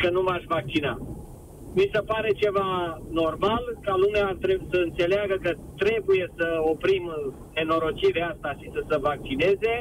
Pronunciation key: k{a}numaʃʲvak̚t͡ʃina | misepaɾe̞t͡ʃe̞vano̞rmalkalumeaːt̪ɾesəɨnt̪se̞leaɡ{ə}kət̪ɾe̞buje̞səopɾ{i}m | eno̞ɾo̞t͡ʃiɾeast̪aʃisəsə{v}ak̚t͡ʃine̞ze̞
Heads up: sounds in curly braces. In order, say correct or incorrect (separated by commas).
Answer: incorrect, correct, correct, correct